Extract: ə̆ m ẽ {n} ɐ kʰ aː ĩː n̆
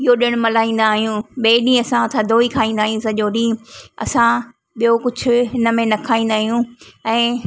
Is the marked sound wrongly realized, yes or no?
no